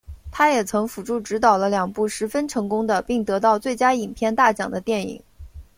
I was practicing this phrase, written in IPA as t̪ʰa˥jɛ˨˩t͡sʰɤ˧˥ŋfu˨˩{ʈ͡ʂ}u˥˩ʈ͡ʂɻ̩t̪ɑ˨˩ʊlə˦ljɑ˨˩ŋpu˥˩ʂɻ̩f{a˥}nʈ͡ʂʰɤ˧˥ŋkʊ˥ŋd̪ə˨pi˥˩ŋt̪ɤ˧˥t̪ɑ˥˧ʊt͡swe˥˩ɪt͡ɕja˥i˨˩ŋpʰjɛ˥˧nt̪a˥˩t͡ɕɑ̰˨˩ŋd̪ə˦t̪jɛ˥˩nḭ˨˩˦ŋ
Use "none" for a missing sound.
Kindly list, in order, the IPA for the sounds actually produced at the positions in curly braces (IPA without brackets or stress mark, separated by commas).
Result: ʈ͡ʂ, ə˥